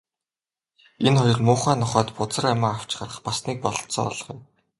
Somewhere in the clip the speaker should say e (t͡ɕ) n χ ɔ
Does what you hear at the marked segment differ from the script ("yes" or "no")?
yes